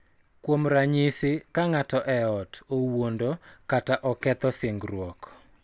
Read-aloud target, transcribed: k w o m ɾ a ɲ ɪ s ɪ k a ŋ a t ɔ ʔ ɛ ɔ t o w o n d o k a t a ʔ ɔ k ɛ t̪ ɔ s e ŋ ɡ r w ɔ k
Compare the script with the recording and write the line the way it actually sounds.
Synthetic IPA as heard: k w o m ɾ a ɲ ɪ s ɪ k a ŋ a t ɔ ʔ ɛ ɔ t o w o n d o k a t a ʔ ɔ k ɛ t̪ ɔ s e ŋ ɡ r w ɔ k